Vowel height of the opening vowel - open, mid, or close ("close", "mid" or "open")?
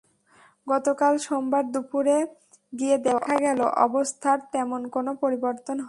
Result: mid